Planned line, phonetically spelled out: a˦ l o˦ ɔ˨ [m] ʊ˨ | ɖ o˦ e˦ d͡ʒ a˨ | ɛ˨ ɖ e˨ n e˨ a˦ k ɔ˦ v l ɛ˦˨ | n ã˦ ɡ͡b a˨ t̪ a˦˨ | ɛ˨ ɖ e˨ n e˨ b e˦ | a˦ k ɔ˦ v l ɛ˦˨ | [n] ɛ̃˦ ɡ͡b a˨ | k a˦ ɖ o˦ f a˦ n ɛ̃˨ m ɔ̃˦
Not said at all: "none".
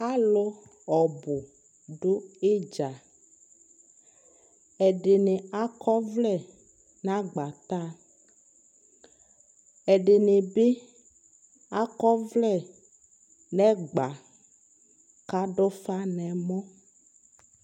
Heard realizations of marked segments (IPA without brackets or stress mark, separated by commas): b, n